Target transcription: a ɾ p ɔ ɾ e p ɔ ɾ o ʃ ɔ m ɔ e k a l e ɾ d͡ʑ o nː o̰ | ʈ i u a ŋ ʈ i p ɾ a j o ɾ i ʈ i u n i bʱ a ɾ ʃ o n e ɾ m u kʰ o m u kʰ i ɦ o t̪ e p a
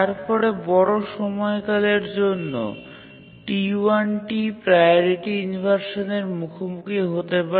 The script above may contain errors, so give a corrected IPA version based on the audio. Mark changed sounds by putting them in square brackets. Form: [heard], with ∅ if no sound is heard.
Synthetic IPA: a ɾ p ɔ ɾ e [b] ɔ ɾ o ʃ ɔ m ɔ e k a l e ɾ d͡ʑ o nː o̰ | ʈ i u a [n] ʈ i p ɾ a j o ɾ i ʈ i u n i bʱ a ɾ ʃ o n e ɾ m u kʰ o m u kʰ i ɦ o t̪ e p a